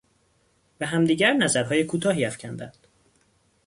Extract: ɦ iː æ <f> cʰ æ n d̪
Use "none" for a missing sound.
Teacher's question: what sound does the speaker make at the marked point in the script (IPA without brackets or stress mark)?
f